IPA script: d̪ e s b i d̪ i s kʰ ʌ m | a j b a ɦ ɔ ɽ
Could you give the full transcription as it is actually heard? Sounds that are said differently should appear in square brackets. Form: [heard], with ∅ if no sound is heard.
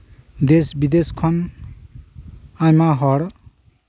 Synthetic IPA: d̪ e s b i d̪ [e] s kʰ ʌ [n] | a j [m] a ɦ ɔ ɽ